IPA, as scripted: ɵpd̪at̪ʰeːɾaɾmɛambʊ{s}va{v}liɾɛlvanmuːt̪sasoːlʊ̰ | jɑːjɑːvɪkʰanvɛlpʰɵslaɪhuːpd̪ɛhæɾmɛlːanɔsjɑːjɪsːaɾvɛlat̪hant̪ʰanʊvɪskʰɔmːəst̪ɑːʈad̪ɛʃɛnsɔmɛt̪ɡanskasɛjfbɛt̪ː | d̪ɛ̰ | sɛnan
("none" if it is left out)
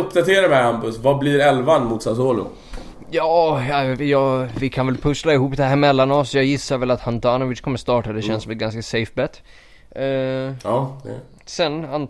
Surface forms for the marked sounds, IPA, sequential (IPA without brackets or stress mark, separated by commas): s, b